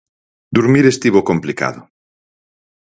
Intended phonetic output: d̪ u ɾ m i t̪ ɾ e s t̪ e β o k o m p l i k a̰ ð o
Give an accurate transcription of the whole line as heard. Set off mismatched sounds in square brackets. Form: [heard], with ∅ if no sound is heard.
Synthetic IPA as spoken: d̪ u ɾ m i [∅] ɾ e s t̪ [i] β o k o m p l i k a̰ ð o